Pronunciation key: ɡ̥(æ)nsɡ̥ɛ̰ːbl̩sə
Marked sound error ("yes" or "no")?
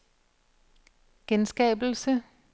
yes